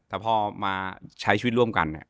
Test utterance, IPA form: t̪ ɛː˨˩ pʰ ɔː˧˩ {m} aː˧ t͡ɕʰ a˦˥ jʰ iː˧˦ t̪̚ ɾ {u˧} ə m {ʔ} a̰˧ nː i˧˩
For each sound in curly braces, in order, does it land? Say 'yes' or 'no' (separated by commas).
yes, no, no